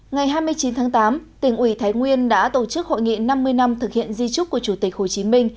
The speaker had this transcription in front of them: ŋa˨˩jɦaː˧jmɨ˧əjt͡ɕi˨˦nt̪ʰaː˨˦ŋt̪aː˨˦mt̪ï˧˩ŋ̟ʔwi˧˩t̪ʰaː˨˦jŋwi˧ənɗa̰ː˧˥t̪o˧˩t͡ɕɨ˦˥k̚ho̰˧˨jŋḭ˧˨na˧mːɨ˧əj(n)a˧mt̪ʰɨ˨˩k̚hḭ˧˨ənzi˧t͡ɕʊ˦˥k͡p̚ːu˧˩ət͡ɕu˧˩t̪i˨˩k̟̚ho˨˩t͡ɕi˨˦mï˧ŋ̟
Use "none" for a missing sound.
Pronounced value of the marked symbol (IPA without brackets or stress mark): n